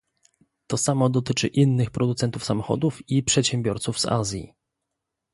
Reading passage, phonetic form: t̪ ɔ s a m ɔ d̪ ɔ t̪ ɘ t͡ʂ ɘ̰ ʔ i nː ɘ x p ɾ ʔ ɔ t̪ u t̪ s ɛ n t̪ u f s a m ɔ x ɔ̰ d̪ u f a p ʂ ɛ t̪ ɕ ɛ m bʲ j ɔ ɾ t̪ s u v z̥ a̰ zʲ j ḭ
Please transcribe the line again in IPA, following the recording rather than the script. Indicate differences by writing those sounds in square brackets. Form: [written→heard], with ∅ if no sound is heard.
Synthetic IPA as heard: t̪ ɔ s a m ɔ d̪ ɔ t̪ ɘ t͡ʂ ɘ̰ ʔ i nː ɘ x p ɾ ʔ ɔ [t̪→d̪] u t̪ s ɛ n t̪ u f s a m ɔ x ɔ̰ d̪ u f [a→i] p ʂ ɛ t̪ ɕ ɛ m bʲ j ɔ ɾ t̪ s u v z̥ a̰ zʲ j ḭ